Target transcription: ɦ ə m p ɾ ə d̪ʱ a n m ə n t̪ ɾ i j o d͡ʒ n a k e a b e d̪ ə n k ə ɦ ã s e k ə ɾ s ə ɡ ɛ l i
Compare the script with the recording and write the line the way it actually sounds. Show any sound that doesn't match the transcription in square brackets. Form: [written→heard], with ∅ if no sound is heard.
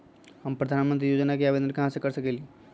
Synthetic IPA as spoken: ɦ ə m p ɾ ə d̪ʱ a n m ə n t̪ ɾ i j o d͡ʒ n a k e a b e d̪ ə n k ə ɦ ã s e k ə ɾ s ə [ɡ→k] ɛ l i